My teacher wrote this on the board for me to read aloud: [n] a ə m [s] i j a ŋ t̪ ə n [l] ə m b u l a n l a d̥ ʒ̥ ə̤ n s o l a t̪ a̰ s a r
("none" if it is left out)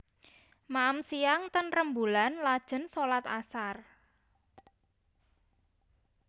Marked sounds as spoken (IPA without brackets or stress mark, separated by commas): m, s, r